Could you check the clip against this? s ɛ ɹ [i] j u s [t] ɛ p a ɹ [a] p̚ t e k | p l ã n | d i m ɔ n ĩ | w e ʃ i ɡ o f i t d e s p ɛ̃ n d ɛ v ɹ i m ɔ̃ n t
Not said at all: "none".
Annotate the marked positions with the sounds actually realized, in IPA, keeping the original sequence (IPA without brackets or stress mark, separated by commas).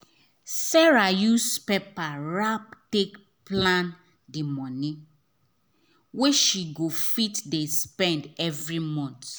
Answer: a, p, a